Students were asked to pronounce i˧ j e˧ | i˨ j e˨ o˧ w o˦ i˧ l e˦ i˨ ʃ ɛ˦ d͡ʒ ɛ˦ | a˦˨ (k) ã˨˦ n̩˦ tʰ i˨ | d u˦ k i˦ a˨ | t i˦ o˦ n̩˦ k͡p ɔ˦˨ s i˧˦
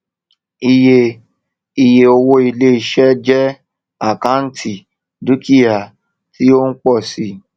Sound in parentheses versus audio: correct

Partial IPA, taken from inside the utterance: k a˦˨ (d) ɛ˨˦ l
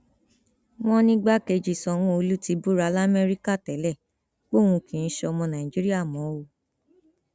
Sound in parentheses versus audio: incorrect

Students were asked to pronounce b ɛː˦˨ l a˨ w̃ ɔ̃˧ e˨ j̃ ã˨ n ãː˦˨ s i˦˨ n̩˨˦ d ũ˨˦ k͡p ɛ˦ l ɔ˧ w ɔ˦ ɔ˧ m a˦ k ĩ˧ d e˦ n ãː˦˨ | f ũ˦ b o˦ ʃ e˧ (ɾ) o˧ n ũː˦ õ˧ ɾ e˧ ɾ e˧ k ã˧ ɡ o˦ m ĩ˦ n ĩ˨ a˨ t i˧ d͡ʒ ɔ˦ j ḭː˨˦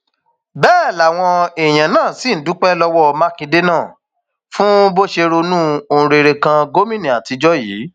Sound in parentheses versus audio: correct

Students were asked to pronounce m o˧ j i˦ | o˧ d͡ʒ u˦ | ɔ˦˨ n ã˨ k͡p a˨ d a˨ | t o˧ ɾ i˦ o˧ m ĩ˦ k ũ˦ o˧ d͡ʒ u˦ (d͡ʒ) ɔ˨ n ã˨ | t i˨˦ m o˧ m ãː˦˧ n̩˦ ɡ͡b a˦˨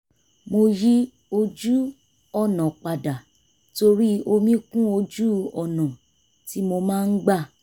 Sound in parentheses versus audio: incorrect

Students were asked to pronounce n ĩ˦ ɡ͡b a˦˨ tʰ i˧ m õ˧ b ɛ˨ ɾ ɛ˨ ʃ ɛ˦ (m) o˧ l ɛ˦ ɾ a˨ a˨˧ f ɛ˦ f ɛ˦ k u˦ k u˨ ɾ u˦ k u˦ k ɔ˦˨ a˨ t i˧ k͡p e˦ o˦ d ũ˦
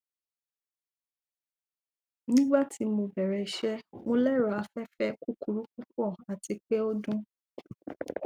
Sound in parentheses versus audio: correct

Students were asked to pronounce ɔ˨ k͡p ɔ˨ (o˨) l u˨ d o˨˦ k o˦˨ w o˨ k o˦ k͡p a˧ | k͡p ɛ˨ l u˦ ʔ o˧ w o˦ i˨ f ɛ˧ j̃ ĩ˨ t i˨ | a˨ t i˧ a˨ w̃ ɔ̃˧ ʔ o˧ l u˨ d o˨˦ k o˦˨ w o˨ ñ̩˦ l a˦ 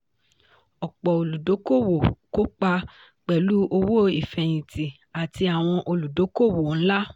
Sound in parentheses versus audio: correct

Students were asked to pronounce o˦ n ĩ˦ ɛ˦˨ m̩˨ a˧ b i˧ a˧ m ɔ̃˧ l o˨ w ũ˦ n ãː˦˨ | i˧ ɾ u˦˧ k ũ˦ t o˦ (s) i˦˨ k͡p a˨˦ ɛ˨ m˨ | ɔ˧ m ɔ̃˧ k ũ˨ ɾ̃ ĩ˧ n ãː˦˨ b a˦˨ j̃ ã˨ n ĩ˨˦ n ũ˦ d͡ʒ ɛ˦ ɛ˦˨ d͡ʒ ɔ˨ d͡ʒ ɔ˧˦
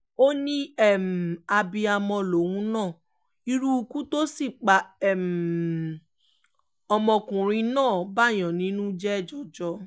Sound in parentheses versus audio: correct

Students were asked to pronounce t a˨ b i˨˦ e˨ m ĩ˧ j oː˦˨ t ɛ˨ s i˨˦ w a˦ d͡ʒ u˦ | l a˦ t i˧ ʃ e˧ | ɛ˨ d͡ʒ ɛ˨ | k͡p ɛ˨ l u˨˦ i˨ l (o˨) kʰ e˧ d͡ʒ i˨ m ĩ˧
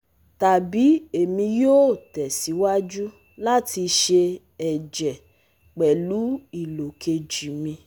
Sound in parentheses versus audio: correct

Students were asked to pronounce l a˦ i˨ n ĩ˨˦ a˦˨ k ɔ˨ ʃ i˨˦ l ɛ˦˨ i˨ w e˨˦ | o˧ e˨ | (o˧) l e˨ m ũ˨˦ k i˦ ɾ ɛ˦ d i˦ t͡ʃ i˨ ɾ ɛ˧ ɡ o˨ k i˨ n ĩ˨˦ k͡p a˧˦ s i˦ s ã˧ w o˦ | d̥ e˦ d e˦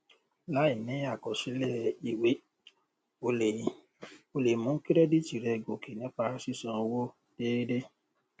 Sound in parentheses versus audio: correct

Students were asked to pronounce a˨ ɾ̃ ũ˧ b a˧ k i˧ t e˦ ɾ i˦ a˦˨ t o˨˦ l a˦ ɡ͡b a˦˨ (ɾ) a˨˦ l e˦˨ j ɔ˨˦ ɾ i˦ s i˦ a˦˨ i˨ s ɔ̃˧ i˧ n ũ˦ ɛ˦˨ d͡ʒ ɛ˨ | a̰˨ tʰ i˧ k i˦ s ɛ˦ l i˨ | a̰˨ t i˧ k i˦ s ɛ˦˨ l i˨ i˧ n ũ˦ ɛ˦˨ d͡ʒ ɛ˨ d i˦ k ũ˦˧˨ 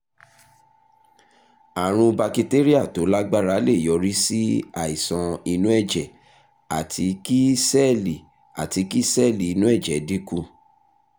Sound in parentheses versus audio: correct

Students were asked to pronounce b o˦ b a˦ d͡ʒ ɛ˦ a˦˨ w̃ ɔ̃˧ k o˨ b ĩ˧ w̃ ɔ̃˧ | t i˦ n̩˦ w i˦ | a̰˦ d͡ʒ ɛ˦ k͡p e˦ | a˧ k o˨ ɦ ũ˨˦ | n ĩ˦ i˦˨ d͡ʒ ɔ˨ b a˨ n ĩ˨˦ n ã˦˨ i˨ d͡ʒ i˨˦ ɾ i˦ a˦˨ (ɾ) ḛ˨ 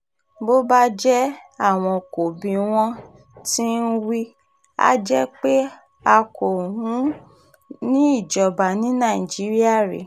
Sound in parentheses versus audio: correct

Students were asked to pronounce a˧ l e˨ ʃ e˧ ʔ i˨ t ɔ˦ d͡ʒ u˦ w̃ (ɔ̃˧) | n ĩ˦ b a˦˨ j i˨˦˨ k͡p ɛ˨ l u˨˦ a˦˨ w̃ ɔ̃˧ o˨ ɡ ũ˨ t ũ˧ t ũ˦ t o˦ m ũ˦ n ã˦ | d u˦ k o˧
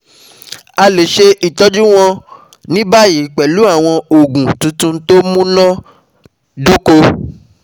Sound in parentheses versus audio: correct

